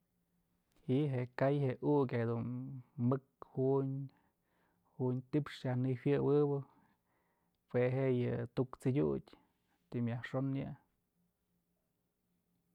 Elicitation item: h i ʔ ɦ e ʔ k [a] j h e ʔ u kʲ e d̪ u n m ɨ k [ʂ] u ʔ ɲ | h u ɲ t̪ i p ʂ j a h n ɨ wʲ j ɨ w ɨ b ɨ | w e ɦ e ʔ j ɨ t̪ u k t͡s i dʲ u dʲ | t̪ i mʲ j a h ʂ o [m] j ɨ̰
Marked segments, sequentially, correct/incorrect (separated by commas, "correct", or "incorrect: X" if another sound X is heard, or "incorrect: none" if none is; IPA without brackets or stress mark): correct, incorrect: h, incorrect: n